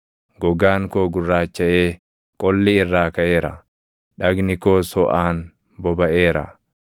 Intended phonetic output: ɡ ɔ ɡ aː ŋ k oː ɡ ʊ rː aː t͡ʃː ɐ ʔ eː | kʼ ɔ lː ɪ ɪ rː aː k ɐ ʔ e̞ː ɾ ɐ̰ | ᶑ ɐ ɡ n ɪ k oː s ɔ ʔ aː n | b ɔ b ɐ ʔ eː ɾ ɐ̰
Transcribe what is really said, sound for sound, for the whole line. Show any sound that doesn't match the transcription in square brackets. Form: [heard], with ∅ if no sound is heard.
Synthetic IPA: ɡ ɔ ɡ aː ŋ k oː ɡ ʊ rː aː t͡ʃː ɐ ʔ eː | kʼ ɔ lː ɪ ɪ rː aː k ɐ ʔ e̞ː ɾ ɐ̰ | ᶑ ɐ ɡ n ɪ k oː s ɔ ʔ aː n | b ɔ b ɐ ʔ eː ɾ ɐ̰